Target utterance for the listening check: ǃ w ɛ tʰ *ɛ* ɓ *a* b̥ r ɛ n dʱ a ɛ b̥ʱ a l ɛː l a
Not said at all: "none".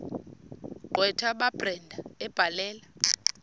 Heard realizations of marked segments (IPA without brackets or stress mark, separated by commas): a, a